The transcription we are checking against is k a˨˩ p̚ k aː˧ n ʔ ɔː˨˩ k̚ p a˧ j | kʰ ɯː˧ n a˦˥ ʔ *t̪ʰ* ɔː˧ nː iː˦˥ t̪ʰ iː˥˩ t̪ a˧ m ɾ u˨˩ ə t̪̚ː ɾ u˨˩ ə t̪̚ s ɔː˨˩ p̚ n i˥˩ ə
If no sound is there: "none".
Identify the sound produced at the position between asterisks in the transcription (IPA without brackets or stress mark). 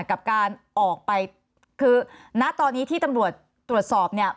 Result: t̪